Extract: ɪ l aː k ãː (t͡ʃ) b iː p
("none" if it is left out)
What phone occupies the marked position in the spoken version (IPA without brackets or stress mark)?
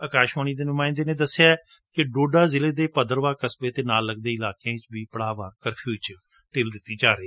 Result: t͡ʃ